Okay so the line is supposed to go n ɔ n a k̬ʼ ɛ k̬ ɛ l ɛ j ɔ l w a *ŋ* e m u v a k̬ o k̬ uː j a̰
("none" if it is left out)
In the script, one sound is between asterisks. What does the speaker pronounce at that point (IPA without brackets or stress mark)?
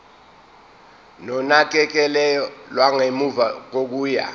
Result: ŋ